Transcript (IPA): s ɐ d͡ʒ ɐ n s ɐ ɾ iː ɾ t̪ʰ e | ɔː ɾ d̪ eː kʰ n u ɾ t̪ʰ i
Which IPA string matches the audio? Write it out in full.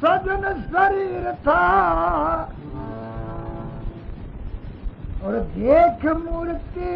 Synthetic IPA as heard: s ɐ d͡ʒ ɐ n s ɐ ɾ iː ɾ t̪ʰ a | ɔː ɾ d̪ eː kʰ m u ɾ t̪ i